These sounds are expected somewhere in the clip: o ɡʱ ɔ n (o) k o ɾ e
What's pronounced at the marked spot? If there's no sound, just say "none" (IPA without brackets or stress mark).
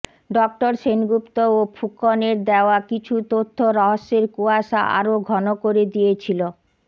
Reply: o